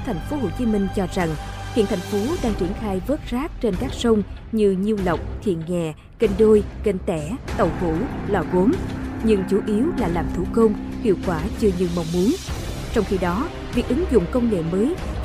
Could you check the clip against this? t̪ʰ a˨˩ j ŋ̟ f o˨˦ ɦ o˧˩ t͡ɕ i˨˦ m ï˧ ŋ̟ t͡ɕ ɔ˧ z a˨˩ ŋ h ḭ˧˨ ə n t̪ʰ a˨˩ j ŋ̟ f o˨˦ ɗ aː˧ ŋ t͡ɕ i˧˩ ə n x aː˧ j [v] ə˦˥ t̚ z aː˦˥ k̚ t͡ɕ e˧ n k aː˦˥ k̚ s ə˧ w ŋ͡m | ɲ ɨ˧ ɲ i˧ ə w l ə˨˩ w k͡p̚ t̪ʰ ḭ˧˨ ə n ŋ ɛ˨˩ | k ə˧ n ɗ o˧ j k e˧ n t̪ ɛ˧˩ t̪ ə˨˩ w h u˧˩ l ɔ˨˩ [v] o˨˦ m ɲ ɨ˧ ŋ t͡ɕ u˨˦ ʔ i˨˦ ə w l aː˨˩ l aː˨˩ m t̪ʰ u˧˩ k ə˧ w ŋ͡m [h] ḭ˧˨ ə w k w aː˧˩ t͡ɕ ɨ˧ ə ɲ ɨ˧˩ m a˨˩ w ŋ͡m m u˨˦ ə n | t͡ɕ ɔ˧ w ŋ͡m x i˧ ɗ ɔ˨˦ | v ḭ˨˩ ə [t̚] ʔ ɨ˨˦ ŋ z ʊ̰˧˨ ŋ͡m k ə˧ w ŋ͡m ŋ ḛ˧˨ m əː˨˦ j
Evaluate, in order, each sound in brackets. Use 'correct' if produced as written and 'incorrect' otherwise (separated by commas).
correct, incorrect, correct, incorrect